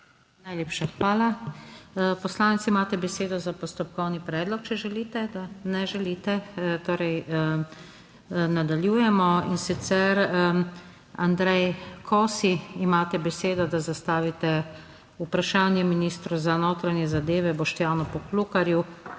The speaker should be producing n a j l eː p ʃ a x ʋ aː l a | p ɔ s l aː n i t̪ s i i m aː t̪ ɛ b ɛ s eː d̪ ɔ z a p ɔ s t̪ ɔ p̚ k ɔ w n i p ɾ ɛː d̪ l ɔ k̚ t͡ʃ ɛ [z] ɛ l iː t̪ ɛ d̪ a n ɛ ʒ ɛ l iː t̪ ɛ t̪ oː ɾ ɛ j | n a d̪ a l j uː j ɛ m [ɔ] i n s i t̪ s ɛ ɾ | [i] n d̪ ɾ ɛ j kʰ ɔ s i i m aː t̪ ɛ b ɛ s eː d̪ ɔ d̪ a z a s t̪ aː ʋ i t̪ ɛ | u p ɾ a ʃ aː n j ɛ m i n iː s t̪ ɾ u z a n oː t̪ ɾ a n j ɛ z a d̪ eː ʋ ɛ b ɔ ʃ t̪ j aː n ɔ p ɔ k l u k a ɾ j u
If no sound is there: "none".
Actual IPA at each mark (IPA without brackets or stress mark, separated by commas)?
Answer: ʒ, ɔ, a